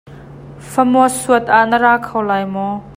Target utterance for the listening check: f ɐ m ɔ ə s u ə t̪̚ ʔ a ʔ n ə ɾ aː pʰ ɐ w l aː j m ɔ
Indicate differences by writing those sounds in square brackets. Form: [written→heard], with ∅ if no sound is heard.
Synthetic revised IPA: f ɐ m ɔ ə s u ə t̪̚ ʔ a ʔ n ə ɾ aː [pʰ→kʰ] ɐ w l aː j m ɔ